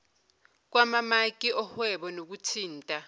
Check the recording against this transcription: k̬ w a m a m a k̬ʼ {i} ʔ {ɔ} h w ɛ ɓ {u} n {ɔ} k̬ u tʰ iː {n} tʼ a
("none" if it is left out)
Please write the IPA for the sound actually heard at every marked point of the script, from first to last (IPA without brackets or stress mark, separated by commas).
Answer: i, ɔ, ɔ, o, n